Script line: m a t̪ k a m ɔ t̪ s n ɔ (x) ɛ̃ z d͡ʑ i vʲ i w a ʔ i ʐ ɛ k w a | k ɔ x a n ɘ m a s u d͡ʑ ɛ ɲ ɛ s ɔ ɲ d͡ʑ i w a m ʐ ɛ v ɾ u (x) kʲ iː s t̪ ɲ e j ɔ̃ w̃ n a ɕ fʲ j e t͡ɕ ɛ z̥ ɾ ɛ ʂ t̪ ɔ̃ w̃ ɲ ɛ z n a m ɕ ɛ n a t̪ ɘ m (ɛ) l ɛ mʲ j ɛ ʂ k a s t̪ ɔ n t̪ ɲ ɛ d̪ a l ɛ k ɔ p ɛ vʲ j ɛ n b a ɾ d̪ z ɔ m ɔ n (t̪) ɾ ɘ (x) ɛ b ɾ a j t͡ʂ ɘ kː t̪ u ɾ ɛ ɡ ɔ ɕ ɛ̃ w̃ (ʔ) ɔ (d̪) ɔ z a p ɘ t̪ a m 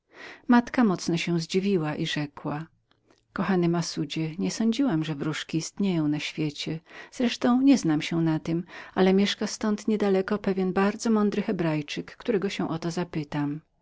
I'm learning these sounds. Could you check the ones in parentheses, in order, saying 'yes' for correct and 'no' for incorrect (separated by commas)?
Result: no, no, no, no, yes, yes, no